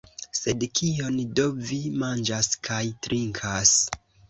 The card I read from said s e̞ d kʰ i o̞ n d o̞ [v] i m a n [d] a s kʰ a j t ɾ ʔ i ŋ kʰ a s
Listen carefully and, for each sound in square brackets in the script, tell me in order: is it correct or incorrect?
correct, incorrect: d͡ʒ

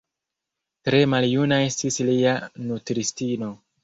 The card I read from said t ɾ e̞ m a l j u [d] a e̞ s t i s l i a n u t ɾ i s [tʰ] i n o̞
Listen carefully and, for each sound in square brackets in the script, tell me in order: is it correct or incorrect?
incorrect: n, incorrect: t

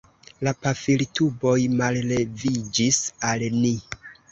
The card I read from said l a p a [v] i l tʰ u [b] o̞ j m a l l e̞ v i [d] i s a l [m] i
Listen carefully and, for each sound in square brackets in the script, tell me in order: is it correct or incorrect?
incorrect: f, correct, incorrect: d͡ʒ, incorrect: n

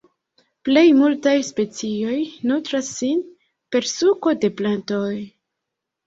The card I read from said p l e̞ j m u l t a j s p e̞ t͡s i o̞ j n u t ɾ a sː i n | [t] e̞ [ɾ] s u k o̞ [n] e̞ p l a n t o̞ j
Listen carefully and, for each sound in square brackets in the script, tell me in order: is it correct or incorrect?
incorrect: p, correct, incorrect: d

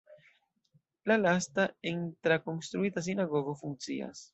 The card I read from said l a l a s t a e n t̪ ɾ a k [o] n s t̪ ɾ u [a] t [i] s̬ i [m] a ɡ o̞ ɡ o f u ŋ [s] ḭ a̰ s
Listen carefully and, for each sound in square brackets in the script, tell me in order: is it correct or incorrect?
correct, incorrect: i, incorrect: a, incorrect: n, incorrect: t͡s

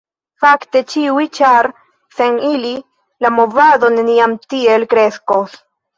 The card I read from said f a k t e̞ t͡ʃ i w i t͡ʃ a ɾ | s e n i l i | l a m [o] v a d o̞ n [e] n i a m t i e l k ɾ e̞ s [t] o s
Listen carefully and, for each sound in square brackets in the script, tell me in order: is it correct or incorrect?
correct, correct, incorrect: k

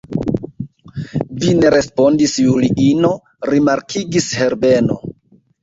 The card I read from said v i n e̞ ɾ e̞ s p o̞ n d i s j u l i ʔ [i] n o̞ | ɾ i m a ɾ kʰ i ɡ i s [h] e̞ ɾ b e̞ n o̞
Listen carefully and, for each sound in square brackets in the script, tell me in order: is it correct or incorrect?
correct, correct

